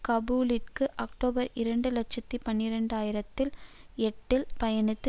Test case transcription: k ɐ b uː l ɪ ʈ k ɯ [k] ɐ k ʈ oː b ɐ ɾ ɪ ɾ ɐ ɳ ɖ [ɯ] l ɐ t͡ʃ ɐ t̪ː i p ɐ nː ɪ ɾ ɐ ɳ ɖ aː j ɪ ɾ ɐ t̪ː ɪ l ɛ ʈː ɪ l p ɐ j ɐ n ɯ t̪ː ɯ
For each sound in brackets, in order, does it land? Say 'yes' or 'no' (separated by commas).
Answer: no, yes